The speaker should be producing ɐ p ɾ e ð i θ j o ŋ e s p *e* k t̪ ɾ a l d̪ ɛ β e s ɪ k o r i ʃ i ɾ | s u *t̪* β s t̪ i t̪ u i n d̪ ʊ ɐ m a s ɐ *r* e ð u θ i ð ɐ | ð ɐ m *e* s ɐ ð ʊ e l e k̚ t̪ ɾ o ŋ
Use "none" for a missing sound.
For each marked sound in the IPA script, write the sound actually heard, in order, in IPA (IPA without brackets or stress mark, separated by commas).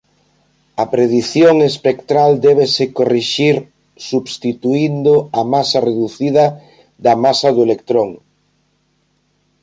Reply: e, none, r, a